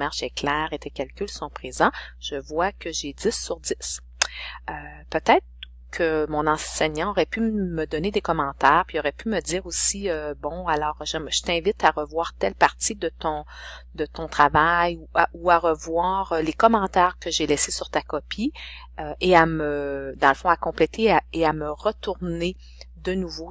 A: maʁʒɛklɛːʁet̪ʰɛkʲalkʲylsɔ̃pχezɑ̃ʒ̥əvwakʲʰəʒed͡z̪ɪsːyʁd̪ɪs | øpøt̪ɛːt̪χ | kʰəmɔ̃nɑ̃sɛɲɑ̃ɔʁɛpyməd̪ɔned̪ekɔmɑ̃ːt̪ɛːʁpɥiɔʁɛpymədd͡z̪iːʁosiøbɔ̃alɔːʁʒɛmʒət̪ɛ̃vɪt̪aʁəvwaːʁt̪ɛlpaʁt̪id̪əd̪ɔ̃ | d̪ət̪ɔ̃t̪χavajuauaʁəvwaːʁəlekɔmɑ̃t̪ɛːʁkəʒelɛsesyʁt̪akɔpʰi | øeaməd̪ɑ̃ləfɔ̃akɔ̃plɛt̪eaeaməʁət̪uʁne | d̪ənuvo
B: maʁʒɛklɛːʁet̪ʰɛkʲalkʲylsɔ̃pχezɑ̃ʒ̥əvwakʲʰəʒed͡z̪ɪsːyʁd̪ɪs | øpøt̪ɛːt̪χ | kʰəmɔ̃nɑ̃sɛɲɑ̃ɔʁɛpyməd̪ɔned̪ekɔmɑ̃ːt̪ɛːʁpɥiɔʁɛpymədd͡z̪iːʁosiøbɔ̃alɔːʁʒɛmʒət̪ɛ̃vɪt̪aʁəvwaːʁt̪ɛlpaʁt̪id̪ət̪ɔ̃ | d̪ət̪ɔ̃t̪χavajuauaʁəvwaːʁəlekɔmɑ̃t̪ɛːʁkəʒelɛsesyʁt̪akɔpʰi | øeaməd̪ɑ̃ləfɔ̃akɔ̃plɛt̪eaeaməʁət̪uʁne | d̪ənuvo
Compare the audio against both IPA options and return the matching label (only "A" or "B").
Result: B